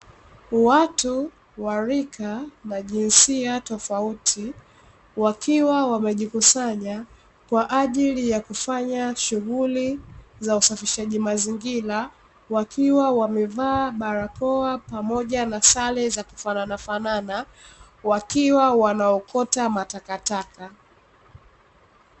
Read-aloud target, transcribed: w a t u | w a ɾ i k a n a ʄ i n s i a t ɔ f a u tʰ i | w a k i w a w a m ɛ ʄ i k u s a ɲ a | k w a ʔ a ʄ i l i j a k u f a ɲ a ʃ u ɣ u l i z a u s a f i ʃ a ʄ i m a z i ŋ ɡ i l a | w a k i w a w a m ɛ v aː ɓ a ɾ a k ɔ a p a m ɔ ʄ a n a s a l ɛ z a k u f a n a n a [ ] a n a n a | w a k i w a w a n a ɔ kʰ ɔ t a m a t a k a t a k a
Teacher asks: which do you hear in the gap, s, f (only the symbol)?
f